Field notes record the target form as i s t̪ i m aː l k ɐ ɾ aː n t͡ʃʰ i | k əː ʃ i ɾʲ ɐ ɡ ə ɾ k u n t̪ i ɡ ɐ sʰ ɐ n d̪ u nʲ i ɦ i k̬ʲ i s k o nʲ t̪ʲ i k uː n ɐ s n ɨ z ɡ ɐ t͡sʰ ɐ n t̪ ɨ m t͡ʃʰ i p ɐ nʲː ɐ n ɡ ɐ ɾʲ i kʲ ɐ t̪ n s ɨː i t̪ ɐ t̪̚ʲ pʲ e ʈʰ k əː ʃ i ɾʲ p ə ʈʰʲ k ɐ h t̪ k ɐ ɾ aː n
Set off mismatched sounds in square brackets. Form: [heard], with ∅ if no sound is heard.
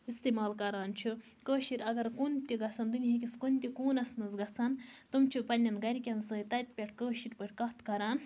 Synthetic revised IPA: i s t̪ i m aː l k ɐ ɾ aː n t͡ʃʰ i | k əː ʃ i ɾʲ ɐ ɡ [ɐ] ɾ k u n t̪ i ɡ ɐ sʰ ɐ n d̪ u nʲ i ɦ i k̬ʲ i s k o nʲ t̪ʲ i k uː n ɐ s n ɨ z ɡ ɐ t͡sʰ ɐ n t̪ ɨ m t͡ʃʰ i p ɐ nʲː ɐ n ɡ ɐ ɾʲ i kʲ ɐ [∅] n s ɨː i t̪ ɐ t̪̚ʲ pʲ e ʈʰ k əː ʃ i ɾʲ p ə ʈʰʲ k ɐ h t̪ k ɐ ɾ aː n